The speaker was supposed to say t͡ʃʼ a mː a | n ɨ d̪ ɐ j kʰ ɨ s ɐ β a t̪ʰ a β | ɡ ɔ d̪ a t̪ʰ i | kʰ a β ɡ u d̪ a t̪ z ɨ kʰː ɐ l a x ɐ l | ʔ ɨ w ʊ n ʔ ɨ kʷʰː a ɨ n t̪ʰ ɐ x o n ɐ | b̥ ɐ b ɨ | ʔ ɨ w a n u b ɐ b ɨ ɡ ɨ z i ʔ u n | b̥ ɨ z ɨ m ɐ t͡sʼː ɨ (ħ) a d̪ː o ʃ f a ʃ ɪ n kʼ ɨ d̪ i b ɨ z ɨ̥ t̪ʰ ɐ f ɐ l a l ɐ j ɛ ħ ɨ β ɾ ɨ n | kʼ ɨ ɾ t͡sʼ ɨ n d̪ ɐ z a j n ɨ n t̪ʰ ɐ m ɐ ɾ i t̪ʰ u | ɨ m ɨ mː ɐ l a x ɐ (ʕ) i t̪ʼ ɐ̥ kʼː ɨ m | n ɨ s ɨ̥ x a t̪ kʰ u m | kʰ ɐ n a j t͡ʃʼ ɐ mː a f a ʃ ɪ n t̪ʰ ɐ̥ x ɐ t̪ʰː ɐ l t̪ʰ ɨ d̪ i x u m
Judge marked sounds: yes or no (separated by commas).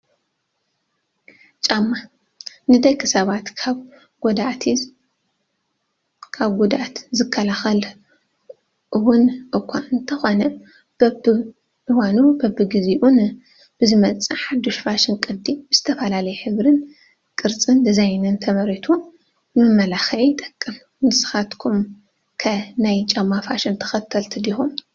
yes, yes